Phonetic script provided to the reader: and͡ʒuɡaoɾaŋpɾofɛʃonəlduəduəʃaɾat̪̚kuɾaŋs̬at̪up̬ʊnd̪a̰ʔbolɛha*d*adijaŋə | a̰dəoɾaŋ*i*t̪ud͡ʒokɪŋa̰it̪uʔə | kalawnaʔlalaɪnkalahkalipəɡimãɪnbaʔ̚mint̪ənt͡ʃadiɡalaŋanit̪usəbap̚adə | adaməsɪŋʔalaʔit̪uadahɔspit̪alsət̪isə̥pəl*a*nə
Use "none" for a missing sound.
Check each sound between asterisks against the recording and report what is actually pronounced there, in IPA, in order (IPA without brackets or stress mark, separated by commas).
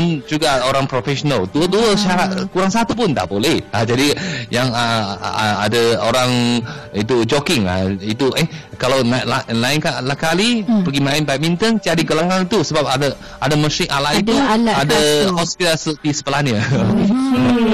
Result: d͡ʒ, i, a